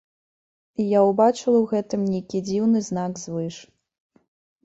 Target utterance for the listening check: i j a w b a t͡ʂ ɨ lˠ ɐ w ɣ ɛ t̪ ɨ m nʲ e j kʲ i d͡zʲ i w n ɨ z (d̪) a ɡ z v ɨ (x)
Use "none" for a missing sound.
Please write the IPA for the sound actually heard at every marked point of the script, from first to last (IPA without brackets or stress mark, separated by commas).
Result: n̪, ʂ